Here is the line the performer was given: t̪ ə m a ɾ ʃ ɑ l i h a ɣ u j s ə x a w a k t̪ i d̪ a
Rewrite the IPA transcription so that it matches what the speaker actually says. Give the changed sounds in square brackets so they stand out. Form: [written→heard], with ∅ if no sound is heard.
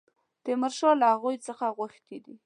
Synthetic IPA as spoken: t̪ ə m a ɾ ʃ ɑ l [i→a] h a ɣ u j [s→t͡s] ə x a [w→ɣ] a [k→x] t̪ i d̪ [a→i]